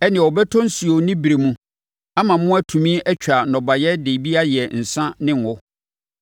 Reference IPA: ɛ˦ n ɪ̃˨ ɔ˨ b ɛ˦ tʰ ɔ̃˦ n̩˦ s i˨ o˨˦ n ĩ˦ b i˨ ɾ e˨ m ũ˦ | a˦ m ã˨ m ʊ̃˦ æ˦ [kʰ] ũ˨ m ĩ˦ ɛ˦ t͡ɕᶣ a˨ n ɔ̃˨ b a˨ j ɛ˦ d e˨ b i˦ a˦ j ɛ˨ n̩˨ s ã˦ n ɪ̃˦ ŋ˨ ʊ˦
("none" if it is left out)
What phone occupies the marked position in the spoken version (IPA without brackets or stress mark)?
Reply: tʰ